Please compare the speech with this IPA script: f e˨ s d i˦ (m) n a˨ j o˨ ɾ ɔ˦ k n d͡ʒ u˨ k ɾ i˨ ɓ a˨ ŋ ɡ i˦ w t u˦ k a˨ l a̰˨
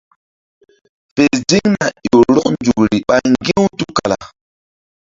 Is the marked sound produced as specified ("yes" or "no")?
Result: no